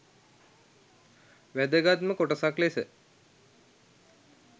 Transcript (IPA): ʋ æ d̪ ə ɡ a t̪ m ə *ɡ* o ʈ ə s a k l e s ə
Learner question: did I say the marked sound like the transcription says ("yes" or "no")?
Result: no